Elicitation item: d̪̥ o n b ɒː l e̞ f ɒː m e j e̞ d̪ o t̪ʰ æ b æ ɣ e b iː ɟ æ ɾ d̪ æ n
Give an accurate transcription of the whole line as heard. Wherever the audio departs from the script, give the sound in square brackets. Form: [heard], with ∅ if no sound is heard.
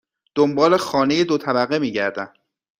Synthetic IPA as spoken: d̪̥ o [m] b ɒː l e̞ [x] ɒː [n] e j e̞ d̪ o t̪ʰ æ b æ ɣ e [m] iː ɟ æ ɾ d̪ æ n

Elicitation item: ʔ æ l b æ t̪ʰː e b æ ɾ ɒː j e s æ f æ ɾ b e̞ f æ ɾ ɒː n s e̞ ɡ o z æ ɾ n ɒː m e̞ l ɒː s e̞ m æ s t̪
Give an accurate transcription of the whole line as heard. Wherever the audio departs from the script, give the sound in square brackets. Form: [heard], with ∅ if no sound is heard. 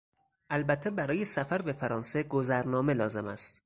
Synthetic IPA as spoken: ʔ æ l b æ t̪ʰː e b æ ɾ ɒː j e s æ f æ ɾ b e̞ f æ ɾ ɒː n s e̞ ɡ o z æ ɾ n ɒː m e̞ l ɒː [z] e̞ m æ s t̪

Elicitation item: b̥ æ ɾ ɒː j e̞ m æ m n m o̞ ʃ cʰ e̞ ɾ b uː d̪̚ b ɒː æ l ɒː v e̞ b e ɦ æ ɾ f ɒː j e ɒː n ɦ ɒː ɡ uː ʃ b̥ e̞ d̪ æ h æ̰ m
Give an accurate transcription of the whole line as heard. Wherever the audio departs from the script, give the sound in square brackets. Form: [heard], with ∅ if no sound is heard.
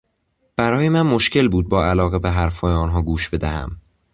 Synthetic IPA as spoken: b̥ æ ɾ ɒː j e̞ m æ [∅] n m o̞ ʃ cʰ e̞ [l] b uː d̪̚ b ɒː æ l ɒː [ɣ] e̞ b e ɦ æ ɾ f ɒː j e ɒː n ɦ ɒː ɡ uː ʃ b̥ e̞ d̪ æ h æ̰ m

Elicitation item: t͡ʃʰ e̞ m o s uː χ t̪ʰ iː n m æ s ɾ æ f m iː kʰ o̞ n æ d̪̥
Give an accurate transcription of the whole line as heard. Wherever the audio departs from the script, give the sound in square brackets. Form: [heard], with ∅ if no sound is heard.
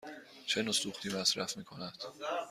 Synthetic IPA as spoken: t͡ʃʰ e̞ [n] o s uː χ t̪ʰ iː [∅] m æ s ɾ æ f m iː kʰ o̞ n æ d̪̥

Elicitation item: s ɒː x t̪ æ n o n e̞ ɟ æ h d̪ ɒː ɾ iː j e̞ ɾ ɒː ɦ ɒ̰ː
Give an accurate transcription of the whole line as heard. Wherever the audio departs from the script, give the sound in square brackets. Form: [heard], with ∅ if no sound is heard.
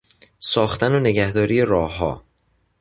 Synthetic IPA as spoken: s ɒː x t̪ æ n o n e̞ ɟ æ h d̪ ɒː ɾ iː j e̞ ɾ ɒː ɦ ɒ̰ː

